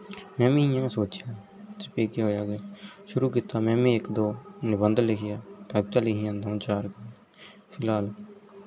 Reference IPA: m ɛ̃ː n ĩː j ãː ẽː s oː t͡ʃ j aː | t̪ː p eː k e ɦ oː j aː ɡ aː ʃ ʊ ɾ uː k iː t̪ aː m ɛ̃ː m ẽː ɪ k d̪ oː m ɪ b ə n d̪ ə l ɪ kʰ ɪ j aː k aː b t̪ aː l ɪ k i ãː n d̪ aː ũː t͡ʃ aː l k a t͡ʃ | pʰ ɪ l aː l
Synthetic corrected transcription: m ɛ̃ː m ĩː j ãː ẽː s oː t͡ʃ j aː | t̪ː p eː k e ɦ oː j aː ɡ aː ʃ ʊ ɾ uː k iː t̪ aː m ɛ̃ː m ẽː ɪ k d̪ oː n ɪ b ə n d̪ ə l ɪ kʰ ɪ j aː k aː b t̪ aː l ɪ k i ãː n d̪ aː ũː t͡ʃ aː ɾ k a | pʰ ɪ l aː l